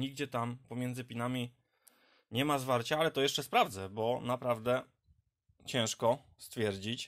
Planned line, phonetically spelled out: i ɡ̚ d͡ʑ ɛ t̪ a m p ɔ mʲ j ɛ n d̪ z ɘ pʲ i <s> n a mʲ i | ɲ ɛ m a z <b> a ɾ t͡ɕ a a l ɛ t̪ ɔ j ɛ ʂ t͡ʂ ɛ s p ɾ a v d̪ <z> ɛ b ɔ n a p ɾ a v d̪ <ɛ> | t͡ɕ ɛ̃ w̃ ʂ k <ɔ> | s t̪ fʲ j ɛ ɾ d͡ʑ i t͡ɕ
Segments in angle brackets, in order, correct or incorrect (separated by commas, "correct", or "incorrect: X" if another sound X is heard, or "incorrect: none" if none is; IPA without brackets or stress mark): incorrect: none, incorrect: v, correct, correct, correct